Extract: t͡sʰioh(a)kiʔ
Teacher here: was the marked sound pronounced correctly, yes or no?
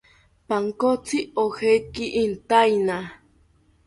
no